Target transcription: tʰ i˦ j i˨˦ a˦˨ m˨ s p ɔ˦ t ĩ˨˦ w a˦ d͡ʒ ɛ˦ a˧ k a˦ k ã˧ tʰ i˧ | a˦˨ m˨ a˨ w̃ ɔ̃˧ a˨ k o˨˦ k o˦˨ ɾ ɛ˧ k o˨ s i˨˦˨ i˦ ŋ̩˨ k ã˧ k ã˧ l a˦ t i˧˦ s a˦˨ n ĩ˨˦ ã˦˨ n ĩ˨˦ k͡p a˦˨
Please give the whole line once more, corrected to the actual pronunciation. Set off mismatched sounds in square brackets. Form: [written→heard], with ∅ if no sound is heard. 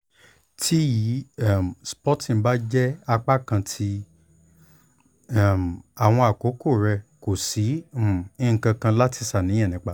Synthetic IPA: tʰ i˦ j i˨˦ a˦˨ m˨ s p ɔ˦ t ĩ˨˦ [w→b] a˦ d͡ʒ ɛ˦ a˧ [k→k͡p] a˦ k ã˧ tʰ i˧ | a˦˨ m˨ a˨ w̃ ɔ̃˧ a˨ k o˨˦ k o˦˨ ɾ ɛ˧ k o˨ s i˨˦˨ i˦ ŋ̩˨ k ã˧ k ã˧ l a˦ t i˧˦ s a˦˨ n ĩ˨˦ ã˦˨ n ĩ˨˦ k͡p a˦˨